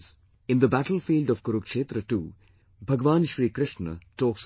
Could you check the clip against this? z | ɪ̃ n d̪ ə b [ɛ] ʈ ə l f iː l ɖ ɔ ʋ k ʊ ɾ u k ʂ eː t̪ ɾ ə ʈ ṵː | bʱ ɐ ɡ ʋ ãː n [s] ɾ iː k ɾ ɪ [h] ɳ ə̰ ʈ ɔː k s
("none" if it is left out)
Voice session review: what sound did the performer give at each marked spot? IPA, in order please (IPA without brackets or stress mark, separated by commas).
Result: æ, ʃ, ʃ